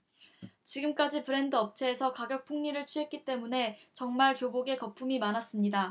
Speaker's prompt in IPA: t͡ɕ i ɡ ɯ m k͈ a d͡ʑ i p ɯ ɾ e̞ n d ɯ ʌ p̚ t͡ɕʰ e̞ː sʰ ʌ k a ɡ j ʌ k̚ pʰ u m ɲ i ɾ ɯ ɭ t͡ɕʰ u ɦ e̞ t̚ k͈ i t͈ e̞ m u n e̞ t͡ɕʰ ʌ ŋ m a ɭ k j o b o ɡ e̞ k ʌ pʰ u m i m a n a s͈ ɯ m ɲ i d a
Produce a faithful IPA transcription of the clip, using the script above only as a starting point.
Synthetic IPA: t͡ɕ i ɡ ɯ m k͈ a d͡ʑ i p ɯ ɾ e̞ n d ɯ ʌ p̚ t͡ɕʰ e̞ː sʰ ʌ k a ɡ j ʌ k̚ pʰ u ŋ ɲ i ɾ ɯ ɭ t͡ɕʰ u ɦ e̞ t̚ k͈ i t͈ e̞ m u n e̞ t͡ɕ ʌ ŋ m a ɭ k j o b o ɡ e̞ k ʌ pʰ u m i m a n a s͈ ɯ m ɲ i d a